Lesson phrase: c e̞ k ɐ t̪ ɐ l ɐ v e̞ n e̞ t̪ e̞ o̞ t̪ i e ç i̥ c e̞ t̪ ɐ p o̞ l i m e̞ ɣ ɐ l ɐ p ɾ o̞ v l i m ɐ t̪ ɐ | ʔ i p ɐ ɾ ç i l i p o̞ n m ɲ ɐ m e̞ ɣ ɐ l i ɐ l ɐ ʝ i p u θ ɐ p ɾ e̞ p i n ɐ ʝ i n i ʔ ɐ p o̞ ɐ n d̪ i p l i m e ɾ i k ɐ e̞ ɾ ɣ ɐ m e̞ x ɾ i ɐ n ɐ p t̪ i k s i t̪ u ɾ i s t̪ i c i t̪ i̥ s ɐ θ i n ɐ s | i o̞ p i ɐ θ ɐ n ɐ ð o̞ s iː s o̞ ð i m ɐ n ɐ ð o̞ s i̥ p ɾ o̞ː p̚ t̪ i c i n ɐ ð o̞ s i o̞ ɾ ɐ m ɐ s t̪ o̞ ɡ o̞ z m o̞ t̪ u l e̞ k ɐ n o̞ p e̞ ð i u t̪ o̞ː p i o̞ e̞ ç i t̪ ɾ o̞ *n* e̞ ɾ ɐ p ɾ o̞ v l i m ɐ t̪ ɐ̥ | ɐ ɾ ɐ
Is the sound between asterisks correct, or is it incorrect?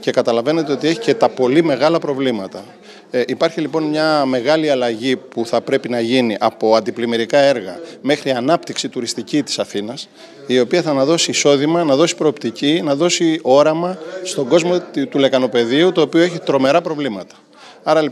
incorrect